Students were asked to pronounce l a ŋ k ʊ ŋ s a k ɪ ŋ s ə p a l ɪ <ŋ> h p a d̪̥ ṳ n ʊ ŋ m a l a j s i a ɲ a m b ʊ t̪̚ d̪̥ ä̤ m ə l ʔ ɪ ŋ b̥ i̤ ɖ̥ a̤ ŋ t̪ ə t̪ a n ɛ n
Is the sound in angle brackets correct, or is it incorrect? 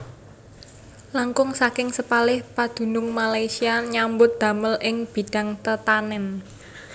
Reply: incorrect: none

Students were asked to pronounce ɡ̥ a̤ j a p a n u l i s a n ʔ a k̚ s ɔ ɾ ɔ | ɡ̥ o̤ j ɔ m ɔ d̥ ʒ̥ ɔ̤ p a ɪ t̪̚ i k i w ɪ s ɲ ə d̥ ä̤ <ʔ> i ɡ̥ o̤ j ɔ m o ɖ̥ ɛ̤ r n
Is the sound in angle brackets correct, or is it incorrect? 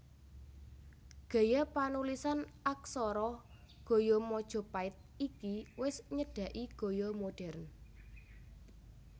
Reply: correct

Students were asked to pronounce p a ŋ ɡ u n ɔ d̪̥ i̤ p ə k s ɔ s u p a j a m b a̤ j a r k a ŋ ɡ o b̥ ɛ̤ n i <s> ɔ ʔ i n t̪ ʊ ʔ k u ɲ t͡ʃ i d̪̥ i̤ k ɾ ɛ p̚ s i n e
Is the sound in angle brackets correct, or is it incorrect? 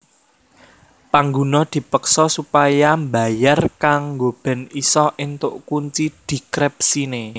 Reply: correct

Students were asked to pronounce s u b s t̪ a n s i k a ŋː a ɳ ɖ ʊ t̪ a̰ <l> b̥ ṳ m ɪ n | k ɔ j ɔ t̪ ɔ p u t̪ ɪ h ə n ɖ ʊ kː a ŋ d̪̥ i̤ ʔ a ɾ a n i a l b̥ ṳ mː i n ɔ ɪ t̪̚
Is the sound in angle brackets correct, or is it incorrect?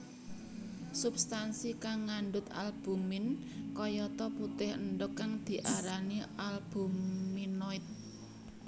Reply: correct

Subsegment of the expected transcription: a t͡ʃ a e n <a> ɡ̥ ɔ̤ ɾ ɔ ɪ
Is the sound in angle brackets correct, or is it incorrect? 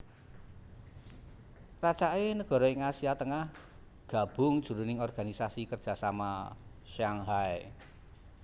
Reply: incorrect: ə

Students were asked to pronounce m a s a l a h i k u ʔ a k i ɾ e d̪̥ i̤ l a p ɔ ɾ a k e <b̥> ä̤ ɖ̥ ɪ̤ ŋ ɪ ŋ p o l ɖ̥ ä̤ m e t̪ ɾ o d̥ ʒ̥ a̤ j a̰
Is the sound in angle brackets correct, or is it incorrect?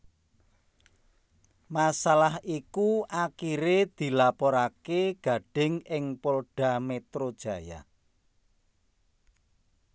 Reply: incorrect: ɡ̥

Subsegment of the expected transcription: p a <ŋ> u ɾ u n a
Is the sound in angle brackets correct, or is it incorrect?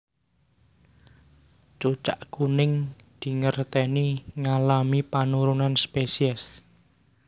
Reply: incorrect: n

